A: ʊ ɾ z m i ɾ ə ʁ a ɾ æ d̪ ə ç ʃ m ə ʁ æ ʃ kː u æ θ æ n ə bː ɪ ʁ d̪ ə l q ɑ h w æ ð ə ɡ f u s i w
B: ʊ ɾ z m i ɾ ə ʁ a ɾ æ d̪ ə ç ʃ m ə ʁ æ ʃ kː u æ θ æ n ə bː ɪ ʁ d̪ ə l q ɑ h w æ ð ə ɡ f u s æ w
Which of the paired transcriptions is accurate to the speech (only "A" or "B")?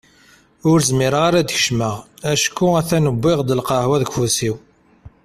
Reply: A